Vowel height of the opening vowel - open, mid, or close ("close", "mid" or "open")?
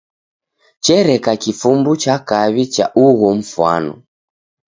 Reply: mid